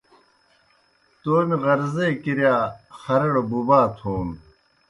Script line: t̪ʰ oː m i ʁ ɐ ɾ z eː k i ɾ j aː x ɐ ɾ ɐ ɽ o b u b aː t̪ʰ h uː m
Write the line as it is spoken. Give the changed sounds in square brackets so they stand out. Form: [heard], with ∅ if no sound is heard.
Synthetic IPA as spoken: [t̪] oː m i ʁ ɐ ɾ z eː k i ɾ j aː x ɐ ɾ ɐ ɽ o b u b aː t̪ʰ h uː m